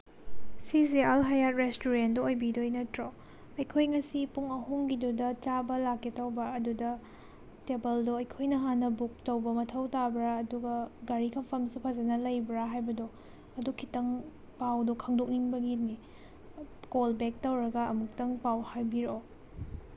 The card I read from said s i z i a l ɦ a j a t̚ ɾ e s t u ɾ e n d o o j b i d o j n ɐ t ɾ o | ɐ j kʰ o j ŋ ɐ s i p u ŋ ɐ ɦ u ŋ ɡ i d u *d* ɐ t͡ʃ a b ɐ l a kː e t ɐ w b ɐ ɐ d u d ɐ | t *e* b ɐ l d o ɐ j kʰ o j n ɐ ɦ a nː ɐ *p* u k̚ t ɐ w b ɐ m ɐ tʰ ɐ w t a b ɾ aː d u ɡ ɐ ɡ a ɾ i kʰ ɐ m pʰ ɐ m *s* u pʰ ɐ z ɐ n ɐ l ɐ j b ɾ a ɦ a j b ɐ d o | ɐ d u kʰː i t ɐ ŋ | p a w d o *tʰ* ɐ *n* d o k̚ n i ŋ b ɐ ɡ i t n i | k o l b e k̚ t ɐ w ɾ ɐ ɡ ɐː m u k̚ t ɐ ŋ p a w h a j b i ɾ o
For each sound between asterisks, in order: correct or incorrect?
correct, correct, incorrect, correct, incorrect, incorrect

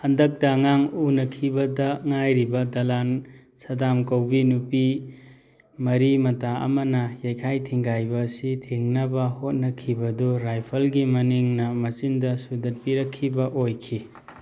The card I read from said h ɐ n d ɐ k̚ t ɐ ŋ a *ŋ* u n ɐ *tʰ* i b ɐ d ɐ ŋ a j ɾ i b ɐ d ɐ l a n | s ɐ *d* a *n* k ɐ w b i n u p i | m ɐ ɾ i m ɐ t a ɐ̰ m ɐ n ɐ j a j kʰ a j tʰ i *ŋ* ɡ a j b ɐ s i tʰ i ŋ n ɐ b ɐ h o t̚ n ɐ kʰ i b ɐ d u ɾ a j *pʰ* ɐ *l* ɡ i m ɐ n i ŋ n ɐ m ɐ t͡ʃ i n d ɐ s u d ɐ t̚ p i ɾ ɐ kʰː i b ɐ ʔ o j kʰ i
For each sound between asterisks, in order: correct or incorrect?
correct, incorrect, correct, incorrect, correct, correct, correct

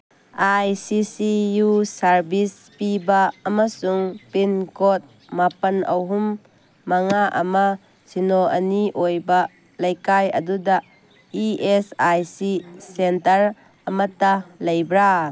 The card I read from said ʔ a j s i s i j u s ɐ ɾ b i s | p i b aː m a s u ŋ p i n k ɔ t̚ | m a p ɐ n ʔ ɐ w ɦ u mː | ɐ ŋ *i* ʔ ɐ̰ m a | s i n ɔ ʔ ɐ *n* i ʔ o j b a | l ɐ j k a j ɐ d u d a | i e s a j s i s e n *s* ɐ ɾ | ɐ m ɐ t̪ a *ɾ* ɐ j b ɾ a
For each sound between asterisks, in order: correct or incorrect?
incorrect, correct, incorrect, incorrect

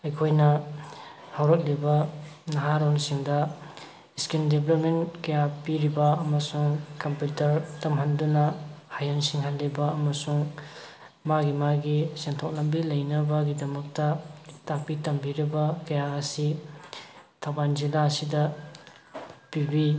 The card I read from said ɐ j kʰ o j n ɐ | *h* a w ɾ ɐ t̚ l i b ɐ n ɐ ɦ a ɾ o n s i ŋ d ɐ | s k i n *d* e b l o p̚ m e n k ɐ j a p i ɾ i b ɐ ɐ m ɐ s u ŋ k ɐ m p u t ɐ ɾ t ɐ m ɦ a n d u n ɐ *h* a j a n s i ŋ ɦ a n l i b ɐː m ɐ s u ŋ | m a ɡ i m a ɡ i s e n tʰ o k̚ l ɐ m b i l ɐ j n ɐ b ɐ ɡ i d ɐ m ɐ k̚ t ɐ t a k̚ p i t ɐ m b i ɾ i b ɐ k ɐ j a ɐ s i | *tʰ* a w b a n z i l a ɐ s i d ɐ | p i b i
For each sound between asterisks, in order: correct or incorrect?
correct, correct, correct, correct

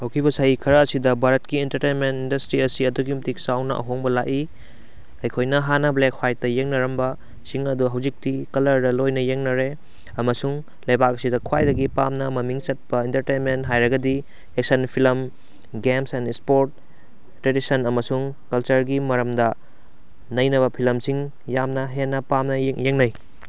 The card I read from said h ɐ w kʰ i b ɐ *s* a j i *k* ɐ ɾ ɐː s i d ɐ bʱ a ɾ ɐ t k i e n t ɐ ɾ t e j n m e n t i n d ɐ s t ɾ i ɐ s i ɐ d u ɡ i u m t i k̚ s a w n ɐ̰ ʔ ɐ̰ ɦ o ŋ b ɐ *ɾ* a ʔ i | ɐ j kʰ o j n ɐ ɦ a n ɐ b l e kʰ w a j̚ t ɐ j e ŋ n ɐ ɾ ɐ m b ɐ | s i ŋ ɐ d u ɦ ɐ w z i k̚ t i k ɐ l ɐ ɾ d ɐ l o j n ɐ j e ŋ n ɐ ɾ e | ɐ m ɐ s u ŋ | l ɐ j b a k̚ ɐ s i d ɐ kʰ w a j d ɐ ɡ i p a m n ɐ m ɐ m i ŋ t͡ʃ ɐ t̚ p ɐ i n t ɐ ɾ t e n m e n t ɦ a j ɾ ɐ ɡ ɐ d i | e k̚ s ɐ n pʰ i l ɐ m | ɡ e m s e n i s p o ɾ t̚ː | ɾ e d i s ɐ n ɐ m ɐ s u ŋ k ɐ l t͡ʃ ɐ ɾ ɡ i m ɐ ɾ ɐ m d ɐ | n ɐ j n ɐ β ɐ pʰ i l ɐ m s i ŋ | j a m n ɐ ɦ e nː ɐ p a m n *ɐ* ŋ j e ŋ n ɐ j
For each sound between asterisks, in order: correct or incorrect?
correct, incorrect, incorrect, correct

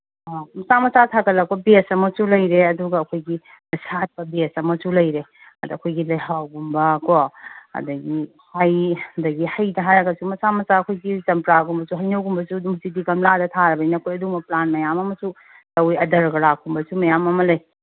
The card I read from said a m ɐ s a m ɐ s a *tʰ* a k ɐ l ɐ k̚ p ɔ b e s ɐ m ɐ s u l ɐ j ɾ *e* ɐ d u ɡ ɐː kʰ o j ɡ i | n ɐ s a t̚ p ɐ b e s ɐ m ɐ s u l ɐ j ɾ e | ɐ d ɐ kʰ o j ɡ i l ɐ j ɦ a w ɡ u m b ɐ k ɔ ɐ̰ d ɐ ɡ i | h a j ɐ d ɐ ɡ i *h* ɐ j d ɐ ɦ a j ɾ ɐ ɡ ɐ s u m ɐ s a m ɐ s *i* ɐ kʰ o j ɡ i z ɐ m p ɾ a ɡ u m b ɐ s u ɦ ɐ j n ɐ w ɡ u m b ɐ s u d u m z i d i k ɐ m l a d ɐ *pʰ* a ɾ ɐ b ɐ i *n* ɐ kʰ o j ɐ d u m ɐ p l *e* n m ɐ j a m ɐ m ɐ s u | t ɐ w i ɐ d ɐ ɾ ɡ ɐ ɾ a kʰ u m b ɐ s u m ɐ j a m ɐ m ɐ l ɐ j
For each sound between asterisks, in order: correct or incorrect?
correct, correct, correct, incorrect, incorrect, correct, incorrect

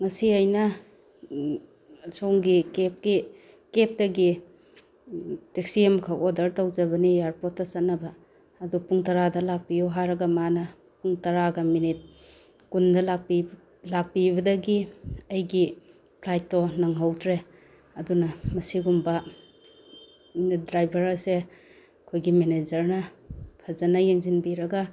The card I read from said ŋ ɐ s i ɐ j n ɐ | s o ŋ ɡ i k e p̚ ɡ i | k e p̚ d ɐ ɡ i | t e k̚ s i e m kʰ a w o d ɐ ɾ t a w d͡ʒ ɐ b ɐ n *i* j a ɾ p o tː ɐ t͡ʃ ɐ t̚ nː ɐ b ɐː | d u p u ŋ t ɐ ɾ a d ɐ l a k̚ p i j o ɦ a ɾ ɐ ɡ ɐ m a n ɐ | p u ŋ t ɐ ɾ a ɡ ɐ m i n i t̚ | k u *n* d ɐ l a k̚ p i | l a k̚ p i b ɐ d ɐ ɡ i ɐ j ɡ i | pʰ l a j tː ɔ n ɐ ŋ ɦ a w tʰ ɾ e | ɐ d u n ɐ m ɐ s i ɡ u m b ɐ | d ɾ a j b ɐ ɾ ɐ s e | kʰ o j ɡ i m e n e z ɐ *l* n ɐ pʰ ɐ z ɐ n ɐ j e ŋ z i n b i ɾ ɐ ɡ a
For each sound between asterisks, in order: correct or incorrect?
correct, correct, incorrect

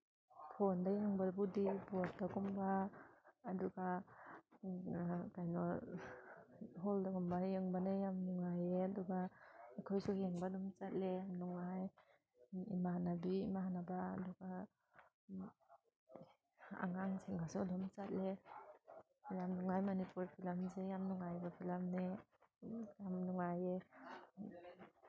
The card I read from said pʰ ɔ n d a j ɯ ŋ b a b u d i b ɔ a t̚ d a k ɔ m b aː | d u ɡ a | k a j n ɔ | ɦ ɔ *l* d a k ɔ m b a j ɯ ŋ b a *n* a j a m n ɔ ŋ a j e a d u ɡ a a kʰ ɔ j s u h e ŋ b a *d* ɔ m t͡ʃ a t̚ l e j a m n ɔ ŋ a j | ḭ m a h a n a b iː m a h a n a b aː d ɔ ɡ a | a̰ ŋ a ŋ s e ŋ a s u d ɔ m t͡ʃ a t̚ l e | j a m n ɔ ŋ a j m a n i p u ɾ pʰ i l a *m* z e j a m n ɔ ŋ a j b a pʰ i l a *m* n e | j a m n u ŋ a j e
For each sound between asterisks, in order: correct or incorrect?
correct, correct, correct, correct, correct

